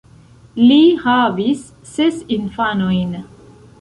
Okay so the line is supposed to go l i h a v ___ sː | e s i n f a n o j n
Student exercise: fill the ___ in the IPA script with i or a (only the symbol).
i